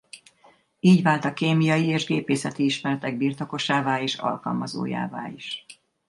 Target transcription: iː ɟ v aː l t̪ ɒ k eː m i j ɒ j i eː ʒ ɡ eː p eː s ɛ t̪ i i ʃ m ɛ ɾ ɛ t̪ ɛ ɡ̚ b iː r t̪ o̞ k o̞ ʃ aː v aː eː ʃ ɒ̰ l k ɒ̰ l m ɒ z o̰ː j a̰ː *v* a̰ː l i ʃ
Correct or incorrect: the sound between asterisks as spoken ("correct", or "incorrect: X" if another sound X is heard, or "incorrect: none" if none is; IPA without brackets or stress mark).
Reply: correct